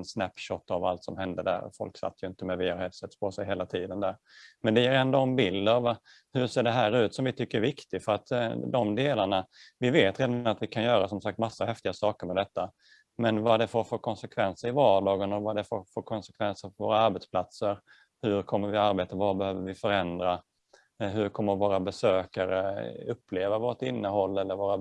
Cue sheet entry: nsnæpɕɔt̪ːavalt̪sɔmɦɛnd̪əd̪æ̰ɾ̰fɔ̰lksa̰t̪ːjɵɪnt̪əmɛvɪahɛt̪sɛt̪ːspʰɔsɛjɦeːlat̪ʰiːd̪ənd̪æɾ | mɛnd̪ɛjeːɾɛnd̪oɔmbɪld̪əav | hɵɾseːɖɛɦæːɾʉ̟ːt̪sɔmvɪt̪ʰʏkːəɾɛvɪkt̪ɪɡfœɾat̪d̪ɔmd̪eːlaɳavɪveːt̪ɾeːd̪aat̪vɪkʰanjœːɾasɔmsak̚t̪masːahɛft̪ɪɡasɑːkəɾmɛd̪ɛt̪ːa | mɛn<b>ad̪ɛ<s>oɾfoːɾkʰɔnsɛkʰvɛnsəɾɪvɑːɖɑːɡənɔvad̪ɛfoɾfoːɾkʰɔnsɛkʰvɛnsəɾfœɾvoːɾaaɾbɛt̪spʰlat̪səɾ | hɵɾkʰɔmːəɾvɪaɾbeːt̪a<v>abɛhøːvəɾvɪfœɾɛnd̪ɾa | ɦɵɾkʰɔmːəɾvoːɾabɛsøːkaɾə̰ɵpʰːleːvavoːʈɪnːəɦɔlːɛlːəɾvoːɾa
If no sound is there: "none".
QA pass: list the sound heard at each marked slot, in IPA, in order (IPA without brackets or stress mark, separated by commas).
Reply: v, f, v